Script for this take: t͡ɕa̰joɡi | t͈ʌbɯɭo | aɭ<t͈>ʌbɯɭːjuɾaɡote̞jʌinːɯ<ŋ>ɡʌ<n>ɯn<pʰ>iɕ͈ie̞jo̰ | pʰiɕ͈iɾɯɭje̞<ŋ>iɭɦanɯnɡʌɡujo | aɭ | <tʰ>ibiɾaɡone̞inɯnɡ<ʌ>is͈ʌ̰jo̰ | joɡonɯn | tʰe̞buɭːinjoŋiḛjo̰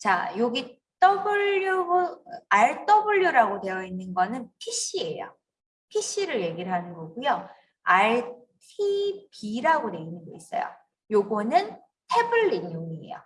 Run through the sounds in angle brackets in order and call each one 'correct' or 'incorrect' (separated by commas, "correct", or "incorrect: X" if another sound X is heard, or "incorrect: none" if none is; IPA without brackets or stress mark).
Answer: correct, incorrect: n, correct, correct, incorrect: ɡ, correct, correct